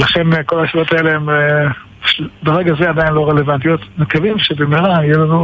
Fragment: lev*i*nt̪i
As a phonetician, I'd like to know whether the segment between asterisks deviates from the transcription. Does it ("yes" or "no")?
yes